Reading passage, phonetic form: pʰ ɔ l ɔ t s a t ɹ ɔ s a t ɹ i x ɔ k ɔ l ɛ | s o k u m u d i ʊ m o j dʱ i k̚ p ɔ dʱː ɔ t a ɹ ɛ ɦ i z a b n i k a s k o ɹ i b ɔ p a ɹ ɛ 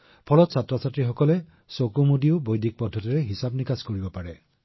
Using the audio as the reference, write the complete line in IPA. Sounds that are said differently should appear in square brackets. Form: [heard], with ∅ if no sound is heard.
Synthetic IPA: pʰ ɔ l ɔ t s a t ɹ ɔ s a t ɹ i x ɔ k ɔ l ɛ | s o k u m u d i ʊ [b] o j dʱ i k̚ p ɔ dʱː ɔ t [i] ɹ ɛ ɦ i [s] a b n i k a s k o ɹ i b ɔ p a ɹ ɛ